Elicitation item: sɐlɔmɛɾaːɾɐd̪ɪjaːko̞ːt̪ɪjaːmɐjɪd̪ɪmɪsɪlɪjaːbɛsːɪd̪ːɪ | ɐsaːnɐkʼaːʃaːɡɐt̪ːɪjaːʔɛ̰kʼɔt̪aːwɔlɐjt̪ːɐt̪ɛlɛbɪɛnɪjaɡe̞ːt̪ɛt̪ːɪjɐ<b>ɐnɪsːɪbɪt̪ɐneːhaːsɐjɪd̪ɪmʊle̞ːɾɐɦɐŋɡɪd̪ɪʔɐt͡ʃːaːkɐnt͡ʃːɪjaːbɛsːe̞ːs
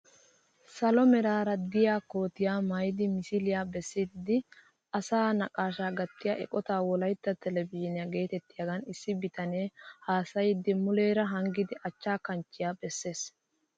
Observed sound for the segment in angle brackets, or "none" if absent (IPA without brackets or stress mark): ɡ